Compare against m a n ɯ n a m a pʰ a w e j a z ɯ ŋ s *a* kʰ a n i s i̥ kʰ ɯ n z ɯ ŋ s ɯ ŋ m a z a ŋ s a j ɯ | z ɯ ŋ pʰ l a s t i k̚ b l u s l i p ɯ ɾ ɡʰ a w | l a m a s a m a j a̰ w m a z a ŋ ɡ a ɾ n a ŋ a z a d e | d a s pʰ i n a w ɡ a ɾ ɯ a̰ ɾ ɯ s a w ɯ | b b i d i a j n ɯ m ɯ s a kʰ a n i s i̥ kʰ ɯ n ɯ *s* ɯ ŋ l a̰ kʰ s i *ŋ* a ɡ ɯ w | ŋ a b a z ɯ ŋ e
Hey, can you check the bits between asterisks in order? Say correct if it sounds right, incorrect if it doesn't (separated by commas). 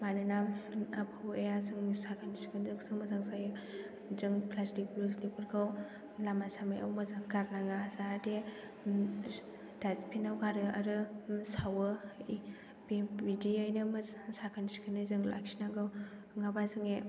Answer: correct, incorrect, incorrect